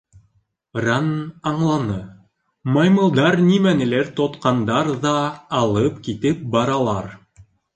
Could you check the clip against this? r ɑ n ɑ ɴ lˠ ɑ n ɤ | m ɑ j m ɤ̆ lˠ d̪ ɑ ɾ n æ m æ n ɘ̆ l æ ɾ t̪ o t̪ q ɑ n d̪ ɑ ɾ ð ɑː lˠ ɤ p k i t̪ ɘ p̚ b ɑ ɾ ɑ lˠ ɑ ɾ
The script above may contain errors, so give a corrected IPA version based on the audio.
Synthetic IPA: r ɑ n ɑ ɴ lˠ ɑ n ɤ | m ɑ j m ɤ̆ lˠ d̪ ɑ ɾ n i m æ n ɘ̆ l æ ɾ t̪ o t̪ q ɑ n d̪ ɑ ɾ ð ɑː lˠ ɤ p k i t̪ ɘ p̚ b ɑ ɾ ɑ lˠ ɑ ɾ